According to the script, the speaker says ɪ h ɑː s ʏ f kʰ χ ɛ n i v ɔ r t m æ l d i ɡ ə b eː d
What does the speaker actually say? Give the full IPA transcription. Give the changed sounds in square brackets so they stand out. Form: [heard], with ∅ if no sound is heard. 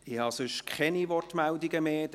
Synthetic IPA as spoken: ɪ h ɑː s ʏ [ʃ] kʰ χ ɛ n i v ɔ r t m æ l d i ɡ ə [m] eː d